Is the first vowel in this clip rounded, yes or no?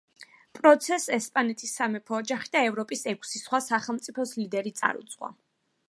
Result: yes